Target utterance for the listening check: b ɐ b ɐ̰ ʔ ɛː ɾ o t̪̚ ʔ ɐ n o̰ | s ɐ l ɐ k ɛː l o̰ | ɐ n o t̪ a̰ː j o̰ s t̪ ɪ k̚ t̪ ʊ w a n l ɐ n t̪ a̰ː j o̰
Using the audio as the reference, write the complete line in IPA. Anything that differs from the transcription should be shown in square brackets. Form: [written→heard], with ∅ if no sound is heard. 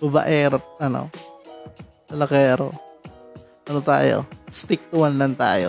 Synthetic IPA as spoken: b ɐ b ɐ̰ ʔ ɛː ɾ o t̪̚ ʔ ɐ n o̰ | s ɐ l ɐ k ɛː [l→ɾ] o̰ | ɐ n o t̪ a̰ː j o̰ s t̪ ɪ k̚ t̪ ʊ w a n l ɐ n t̪ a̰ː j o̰